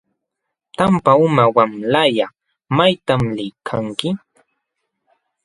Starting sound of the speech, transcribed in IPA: t̪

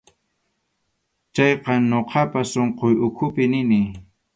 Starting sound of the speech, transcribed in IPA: t͡ʃ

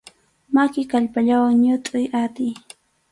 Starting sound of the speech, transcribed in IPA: m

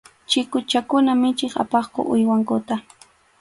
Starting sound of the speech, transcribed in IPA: t͡ʃ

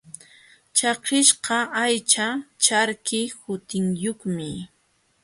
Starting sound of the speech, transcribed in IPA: t͡ʃ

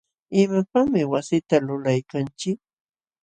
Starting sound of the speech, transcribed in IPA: ɪ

